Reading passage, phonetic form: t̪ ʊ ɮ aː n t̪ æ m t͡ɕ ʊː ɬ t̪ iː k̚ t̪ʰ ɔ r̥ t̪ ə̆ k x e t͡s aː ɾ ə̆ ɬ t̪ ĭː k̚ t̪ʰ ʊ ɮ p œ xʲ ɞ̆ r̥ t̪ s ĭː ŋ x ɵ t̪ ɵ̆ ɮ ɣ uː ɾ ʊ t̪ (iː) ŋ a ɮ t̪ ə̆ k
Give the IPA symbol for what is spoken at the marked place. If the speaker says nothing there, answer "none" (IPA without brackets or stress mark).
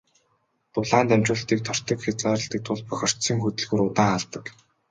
aː